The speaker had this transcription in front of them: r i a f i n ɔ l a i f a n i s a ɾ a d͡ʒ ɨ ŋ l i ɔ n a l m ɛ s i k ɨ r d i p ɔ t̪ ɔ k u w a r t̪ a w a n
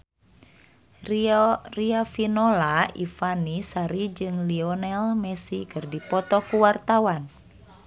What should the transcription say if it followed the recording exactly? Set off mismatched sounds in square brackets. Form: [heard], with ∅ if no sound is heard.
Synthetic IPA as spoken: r i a f i n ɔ l a i f a n i s a ɾ [i] d͡ʒ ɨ ŋ l i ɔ n [ɛ] l m ɛ s i k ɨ r d i p ɔ t̪ ɔ k u w a r t̪ a w a n